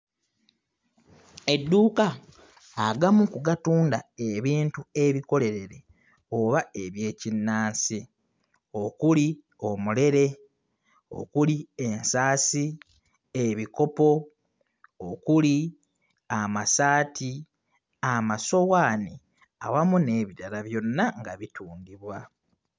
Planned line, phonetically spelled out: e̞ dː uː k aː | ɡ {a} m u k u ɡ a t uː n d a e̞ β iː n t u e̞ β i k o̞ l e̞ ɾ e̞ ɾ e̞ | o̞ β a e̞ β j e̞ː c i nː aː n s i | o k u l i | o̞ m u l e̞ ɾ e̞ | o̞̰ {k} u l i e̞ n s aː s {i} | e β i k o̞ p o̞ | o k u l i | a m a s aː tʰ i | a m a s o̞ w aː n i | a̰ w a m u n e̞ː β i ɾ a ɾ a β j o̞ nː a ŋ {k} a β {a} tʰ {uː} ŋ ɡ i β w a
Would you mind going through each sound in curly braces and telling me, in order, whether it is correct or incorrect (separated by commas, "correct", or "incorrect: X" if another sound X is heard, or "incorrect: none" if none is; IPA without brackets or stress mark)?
correct, correct, correct, incorrect: ɡ, incorrect: i, correct